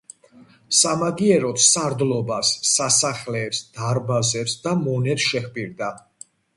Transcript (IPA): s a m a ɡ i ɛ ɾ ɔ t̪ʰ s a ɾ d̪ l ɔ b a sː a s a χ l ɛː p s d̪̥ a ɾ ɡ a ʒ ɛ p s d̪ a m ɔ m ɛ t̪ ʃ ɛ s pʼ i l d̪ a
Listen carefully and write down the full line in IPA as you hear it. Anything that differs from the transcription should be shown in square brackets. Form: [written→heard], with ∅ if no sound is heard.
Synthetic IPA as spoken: s a m a ɡ i ɛ ɾ ɔ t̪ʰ s a ɾ d̪ l ɔ b a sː a s a χ l ɛː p s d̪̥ a ɾ [ɡ→b] a [ʒ→z] ɛ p s d̪ a m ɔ [m→n] ɛ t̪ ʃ ɛ [s→χ] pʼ i [l→ɾ] d̪ a